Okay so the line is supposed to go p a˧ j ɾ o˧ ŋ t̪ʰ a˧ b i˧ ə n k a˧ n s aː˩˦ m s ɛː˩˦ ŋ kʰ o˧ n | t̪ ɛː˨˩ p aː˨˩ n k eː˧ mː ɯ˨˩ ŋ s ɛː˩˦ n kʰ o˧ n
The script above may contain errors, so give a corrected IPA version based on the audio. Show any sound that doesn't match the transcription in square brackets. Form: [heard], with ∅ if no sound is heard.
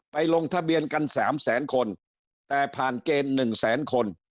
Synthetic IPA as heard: p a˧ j [l] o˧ ŋ t̪ʰ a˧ b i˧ ə n k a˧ n s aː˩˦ m s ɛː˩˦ [n] kʰ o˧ n | t̪ ɛː˨˩ [pʰ] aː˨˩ n k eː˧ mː ɯ˨˩ ŋ s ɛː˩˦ n kʰ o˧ n